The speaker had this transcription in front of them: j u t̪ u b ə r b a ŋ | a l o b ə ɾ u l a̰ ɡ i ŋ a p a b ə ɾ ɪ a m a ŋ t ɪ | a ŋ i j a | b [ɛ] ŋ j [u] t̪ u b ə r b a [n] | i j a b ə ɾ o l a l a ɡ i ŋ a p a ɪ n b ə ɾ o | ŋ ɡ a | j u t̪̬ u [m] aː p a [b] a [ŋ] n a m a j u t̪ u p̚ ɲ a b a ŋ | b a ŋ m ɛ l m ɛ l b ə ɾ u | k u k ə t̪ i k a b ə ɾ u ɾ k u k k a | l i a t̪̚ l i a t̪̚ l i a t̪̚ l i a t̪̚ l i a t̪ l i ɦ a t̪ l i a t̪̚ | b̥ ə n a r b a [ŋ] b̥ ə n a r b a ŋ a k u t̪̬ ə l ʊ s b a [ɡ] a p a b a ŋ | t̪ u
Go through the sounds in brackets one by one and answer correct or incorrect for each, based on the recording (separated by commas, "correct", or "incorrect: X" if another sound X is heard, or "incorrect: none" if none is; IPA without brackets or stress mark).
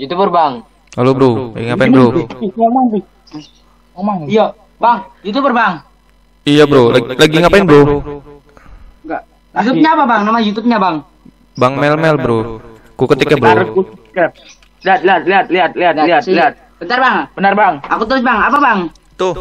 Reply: incorrect: a, correct, incorrect: ŋ, incorrect: ɲ, correct, correct, correct, incorrect: ŋ